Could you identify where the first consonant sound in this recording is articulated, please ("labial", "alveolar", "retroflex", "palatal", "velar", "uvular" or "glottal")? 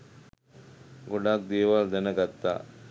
velar